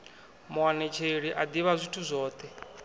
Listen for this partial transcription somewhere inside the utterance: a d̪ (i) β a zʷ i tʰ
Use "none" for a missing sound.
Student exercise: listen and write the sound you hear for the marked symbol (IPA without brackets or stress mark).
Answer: i